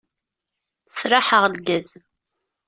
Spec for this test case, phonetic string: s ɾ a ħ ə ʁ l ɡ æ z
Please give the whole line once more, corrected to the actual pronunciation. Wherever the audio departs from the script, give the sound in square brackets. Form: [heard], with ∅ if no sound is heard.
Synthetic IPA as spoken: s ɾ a ħ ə ʁ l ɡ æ z